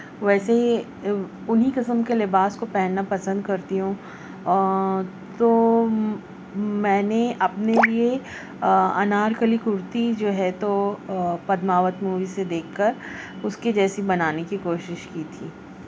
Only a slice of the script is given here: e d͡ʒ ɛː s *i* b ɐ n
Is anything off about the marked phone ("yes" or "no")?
no